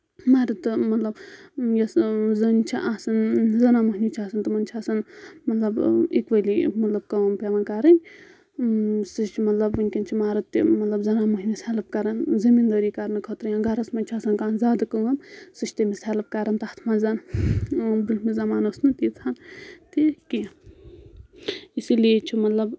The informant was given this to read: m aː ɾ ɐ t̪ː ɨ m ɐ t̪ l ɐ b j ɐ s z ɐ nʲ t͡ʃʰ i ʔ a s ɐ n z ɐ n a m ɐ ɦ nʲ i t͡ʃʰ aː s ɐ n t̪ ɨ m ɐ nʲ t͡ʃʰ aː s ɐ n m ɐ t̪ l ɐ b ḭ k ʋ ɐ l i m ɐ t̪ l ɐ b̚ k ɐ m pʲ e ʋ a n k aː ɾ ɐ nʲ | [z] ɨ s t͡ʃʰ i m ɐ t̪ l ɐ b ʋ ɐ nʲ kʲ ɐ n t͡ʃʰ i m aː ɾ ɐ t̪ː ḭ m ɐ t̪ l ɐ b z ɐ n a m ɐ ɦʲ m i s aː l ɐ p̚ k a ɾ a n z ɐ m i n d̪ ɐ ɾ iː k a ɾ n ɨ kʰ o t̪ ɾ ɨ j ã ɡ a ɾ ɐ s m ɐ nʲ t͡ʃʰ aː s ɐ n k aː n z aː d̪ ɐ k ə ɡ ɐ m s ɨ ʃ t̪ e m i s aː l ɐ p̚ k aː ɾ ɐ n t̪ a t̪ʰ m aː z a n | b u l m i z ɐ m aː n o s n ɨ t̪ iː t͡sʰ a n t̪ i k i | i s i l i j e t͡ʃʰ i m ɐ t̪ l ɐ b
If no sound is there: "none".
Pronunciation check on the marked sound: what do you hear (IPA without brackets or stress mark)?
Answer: s